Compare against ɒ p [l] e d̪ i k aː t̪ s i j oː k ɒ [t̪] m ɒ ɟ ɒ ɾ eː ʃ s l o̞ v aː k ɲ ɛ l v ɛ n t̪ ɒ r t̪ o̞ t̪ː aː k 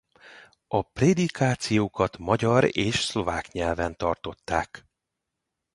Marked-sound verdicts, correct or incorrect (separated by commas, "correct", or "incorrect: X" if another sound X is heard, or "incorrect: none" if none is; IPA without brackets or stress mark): incorrect: r, correct